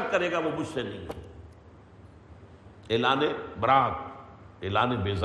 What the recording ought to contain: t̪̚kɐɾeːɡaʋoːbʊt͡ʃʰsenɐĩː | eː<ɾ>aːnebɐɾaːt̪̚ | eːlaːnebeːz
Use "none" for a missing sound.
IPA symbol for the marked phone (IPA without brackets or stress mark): l